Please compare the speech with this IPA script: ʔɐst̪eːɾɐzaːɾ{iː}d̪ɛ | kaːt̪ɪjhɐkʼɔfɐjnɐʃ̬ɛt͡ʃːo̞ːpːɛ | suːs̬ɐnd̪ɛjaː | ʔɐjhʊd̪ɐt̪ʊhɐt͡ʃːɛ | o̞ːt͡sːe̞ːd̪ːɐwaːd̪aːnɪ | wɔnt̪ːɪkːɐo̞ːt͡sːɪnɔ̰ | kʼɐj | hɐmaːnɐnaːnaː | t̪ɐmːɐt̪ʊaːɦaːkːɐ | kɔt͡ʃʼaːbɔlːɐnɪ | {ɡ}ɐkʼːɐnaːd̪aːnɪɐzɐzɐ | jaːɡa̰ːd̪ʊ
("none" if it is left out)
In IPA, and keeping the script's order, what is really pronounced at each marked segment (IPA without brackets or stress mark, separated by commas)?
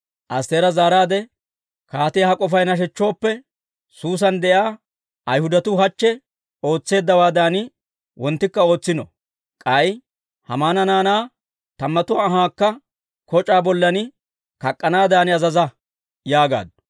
aː, k